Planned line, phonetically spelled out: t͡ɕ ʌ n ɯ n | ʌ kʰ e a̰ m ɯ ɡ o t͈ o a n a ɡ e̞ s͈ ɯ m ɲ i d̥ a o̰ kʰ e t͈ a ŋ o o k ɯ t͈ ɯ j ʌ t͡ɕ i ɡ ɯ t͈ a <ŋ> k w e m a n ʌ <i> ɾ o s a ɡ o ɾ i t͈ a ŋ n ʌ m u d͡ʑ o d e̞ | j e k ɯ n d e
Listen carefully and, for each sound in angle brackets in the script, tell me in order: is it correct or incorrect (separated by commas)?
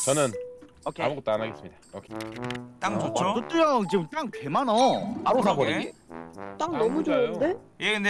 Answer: correct, incorrect